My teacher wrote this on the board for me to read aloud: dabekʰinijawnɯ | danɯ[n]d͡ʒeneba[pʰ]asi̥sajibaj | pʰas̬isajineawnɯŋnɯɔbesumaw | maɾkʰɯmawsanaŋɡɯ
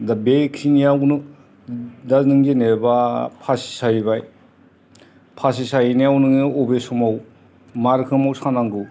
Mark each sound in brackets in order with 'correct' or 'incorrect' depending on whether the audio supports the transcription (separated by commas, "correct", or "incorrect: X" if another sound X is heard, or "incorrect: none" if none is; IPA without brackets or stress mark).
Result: incorrect: ŋ, correct